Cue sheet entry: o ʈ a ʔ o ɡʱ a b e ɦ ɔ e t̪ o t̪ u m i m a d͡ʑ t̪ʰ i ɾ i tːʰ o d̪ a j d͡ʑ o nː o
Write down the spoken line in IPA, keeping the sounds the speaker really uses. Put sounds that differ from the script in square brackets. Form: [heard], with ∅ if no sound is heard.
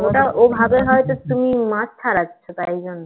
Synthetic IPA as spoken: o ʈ a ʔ o [bʱ] a b e ɦ ɔ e t̪ o t̪ u m i m a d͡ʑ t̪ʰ [a] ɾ [a] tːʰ o [t̪] a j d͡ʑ o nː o